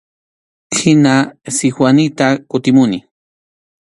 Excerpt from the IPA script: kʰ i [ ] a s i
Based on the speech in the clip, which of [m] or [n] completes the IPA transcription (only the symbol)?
n